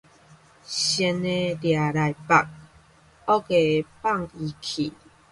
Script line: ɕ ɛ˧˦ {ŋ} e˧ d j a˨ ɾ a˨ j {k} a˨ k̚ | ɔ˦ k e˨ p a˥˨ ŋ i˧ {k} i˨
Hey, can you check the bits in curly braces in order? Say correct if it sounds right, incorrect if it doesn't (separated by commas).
incorrect, incorrect, incorrect